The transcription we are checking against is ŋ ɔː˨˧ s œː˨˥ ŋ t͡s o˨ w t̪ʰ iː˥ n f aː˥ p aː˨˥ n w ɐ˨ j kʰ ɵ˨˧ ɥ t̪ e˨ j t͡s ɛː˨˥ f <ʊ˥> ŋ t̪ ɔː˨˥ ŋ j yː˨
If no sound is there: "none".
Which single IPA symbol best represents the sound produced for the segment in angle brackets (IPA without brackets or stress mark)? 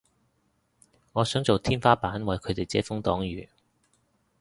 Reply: ʊ˥